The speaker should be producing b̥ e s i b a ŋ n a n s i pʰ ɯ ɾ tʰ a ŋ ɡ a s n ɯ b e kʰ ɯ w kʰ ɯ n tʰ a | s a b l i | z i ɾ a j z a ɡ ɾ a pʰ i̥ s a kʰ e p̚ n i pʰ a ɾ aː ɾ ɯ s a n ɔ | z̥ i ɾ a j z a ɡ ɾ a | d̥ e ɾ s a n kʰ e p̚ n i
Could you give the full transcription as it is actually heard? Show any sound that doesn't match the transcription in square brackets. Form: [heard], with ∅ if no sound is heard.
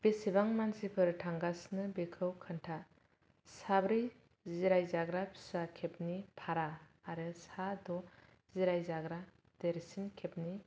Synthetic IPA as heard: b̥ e s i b a ŋ [m] a n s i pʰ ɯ ɾ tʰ a ŋ ɡ a s n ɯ b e kʰ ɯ w kʰ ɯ n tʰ a | s a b [ɾ] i | z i ɾ a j z a ɡ ɾ a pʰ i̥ s a kʰ e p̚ n i pʰ a ɾ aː ɾ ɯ s a [d] ɔ | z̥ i ɾ a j z a ɡ ɾ a | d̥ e ɾ s [i] n kʰ e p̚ n i